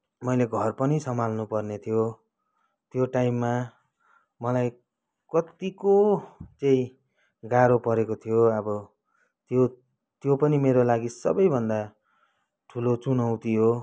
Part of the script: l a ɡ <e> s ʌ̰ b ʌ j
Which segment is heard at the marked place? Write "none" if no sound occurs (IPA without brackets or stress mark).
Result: i